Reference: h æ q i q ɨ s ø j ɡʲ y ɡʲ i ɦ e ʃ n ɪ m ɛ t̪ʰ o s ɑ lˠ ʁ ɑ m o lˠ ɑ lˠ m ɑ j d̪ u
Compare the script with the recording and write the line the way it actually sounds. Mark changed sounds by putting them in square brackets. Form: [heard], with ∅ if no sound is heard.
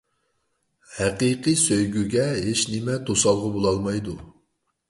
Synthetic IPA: h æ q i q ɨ s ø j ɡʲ y ɡʲ [ɛ] ɦ e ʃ n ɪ m ɛ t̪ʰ o s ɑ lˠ ʁ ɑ [b] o lˠ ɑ lˠ m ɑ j d̪ u